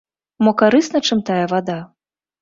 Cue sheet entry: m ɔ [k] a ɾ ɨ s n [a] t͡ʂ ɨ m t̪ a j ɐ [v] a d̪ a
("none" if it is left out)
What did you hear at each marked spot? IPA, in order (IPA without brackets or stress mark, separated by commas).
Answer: k, ɐ, v